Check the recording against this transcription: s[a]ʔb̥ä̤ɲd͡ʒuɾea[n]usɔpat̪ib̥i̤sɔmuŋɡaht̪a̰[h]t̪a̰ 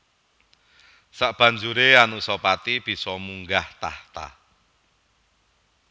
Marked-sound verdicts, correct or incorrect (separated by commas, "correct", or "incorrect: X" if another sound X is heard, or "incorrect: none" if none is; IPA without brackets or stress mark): correct, correct, correct